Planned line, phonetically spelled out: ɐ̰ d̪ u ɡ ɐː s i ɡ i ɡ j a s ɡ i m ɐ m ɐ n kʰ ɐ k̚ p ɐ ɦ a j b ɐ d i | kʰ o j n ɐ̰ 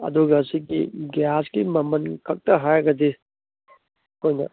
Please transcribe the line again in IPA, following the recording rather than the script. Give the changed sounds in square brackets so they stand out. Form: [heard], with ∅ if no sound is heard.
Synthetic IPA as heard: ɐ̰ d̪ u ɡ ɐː s i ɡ i ɡ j a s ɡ i m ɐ m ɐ n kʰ ɐ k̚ [t] ɐ ɦ a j [ɡ] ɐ d i | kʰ o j n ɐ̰